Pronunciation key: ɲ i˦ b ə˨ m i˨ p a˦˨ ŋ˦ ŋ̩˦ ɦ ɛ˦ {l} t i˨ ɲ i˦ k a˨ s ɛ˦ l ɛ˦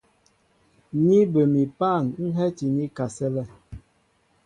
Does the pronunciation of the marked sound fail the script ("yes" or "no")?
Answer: yes